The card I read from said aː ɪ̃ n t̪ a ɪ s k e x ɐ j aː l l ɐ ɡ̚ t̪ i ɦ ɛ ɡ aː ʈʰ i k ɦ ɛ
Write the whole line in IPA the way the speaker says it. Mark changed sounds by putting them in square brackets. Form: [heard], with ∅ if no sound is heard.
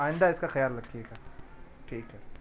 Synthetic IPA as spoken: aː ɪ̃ n [d̪] a ɪ s k [a] x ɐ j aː l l ɐ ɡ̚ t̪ i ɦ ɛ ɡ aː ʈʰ [iː] k ɦ ɛ